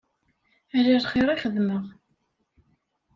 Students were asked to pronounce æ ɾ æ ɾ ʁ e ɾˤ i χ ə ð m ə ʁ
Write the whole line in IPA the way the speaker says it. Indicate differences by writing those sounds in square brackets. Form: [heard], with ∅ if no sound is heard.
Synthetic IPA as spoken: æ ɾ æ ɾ [χ] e ɾˤ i χ ə ð m ə ʁ